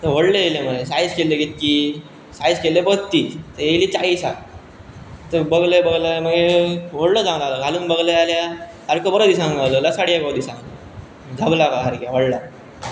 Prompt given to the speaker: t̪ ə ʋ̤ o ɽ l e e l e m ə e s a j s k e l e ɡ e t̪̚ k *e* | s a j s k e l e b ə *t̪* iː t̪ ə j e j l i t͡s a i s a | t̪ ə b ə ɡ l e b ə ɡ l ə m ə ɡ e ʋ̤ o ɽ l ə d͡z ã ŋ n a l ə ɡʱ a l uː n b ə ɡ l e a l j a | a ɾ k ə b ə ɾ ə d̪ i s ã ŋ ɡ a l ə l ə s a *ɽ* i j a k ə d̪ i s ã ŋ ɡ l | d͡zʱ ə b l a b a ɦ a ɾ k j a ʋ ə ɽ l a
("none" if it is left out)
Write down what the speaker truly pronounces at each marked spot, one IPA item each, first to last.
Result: i, t̪, ɽ

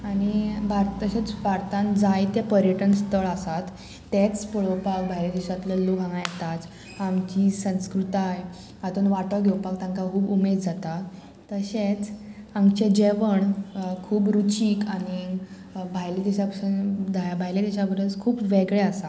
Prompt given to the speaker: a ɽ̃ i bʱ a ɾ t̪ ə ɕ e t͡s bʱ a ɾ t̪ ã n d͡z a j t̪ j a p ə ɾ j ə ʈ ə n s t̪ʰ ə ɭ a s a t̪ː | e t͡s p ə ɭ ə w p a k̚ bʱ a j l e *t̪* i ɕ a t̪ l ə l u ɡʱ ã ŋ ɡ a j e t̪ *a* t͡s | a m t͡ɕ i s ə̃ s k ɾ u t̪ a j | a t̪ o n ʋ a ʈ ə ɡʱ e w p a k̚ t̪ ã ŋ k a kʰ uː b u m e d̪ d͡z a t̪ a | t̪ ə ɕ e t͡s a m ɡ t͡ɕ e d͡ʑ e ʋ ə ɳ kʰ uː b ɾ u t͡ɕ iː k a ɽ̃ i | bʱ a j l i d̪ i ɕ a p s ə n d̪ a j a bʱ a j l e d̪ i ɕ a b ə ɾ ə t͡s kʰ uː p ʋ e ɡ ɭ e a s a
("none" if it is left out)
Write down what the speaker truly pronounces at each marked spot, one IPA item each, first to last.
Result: d̪, a

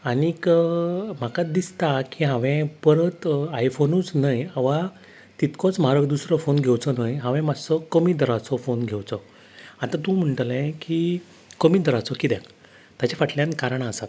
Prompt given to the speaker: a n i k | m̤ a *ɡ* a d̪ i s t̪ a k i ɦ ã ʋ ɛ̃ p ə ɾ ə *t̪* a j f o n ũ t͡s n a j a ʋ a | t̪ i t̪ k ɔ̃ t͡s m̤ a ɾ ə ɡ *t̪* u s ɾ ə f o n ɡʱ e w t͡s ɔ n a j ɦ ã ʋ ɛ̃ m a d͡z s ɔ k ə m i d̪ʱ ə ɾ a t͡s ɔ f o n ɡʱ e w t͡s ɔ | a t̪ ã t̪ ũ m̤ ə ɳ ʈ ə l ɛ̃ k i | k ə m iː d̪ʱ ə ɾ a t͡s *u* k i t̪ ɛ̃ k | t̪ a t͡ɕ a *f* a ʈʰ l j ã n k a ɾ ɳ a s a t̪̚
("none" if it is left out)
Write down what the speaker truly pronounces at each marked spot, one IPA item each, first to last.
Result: k, t̪, d̪, ɔ, f

